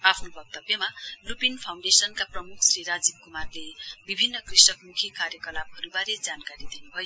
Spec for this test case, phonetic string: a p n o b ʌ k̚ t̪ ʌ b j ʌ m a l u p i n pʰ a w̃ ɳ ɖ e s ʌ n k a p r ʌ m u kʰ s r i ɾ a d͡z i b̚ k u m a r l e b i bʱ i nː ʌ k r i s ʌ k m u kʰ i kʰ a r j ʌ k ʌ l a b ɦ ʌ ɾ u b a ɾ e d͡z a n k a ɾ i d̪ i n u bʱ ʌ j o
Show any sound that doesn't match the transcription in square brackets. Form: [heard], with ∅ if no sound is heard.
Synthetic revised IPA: a [pʰ] n o b ʌ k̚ t̪ ʌ b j ʌ m a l u p i n pʰ a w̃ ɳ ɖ e s ʌ n k a p r ʌ m u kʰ s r i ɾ a d͡z i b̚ k u m a r l e b i bʱ i nː ʌ k r i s ʌ k m u kʰ i [k] a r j ʌ k ʌ l a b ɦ ʌ ɾ u b a ɾ e d͡z a n k a ɾ i d̪ i n u bʱ ʌ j o